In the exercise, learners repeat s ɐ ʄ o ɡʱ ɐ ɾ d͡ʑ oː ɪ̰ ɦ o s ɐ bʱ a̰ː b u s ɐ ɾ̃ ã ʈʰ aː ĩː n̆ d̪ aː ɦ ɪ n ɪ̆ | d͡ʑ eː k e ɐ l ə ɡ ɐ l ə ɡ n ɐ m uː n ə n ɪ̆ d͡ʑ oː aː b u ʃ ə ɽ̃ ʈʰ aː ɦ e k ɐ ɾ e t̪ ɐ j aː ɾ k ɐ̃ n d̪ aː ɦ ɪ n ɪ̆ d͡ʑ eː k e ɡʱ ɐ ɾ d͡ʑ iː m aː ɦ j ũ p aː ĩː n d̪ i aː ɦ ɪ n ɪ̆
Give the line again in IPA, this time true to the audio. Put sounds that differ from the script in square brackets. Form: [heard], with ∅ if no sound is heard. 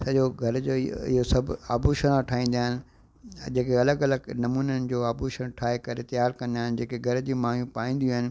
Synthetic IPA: s ɐ ʄ o ɡʱ ɐ ɾ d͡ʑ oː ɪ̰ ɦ o s ɐ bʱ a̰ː b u [ʃ] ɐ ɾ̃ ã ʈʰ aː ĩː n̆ d̪ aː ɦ ɪ n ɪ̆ | d͡ʑ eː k e ɐ l ə ɡ ɐ l ə ɡ n ɐ m uː n ə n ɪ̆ d͡ʑ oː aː b u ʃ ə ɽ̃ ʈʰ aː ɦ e k ɐ ɾ e t̪ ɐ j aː ɾ k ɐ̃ n d̪ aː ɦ ɪ n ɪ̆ d͡ʑ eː k e ɡʱ ɐ ɾ d͡ʑ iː m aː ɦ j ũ p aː ĩː n d̪ i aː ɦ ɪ n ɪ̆